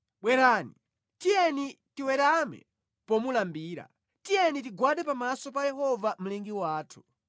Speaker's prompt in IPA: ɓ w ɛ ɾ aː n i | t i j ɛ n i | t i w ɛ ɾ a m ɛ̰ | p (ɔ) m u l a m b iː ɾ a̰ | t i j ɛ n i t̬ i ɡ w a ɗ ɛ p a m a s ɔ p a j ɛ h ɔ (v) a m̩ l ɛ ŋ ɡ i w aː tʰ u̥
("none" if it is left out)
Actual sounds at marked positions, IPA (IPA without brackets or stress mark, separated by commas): ɔ, v